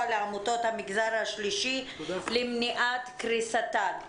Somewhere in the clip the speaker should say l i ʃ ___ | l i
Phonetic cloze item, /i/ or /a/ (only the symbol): i